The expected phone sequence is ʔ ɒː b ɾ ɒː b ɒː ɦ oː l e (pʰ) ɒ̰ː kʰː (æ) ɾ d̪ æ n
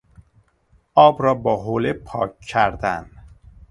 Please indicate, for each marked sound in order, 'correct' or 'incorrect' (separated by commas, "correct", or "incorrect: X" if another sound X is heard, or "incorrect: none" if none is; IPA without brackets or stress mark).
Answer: correct, correct